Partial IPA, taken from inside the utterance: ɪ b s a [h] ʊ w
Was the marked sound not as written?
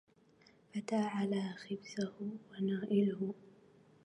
no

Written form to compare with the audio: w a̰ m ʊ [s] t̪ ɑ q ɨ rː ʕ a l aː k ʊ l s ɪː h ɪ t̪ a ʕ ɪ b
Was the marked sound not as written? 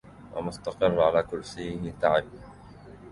no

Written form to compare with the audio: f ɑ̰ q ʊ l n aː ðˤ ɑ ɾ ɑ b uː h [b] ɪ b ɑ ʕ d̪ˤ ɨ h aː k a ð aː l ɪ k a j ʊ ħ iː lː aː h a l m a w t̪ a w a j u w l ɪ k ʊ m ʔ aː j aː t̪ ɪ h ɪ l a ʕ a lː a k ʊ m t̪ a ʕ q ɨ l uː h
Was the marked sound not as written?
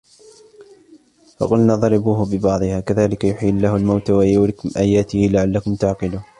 no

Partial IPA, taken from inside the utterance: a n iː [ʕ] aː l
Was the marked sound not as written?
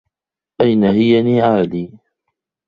no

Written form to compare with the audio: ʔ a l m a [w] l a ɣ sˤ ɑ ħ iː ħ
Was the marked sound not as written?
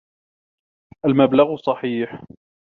yes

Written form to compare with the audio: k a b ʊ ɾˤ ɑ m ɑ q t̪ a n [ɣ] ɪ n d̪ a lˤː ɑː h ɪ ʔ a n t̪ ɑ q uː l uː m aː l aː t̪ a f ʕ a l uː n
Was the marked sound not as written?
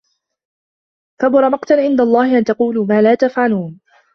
yes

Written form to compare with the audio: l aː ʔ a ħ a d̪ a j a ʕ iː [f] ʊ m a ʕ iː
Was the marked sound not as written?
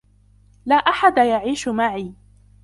yes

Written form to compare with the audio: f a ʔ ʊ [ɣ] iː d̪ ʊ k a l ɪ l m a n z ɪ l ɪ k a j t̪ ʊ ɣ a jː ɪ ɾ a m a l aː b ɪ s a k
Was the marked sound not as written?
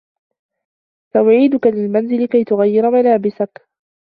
yes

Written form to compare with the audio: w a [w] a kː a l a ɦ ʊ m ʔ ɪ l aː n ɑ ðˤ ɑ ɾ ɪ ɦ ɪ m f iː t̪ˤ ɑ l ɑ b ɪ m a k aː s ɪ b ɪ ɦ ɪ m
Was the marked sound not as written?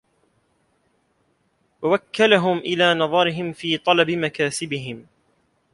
no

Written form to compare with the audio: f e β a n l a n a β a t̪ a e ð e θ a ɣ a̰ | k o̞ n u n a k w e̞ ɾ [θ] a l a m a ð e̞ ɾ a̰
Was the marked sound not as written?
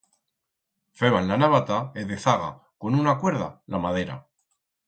yes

